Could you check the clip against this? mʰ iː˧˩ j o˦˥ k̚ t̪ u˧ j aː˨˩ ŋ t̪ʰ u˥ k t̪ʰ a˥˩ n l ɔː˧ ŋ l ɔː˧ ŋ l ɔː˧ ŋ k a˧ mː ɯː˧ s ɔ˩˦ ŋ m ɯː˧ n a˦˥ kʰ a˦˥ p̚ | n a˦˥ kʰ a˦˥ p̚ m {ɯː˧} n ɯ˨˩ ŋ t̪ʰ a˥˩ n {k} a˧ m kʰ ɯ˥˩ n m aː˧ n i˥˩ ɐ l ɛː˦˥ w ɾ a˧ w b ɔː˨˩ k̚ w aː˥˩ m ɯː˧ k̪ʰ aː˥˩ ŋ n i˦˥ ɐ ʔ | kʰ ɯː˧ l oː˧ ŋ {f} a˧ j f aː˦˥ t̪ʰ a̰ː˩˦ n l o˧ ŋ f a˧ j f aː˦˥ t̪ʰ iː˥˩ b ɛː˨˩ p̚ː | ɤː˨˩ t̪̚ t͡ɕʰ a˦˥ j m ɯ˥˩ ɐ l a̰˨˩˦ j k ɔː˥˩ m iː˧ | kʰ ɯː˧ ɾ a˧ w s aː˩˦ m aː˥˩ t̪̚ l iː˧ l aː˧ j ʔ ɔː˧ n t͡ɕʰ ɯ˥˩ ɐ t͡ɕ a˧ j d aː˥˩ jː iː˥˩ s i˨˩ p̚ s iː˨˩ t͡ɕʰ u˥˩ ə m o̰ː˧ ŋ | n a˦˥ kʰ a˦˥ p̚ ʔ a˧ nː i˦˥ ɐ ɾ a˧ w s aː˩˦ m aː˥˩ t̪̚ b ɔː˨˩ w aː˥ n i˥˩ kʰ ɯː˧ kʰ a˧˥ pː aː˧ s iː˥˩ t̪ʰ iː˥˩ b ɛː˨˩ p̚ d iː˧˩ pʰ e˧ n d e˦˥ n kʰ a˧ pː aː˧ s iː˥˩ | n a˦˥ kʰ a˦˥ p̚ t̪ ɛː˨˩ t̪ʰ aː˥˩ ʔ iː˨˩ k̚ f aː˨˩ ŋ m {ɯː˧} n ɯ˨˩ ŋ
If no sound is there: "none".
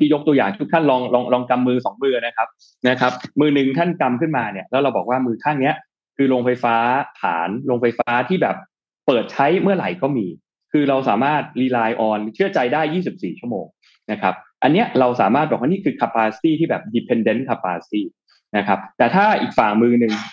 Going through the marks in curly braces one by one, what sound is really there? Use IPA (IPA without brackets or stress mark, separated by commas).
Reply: ɯː˧, k, f, ɯː˧